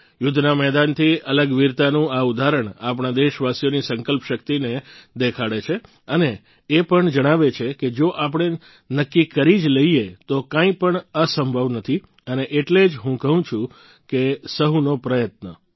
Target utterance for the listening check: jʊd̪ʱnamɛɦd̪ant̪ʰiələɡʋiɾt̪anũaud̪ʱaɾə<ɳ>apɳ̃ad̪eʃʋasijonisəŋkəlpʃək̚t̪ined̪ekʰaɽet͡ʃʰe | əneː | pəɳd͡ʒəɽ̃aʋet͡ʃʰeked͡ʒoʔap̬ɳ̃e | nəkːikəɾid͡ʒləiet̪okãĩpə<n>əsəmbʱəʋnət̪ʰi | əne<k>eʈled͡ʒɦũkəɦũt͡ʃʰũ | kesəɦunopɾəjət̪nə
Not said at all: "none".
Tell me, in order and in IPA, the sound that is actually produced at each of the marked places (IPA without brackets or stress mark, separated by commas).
ɳ, ɳ, ʔ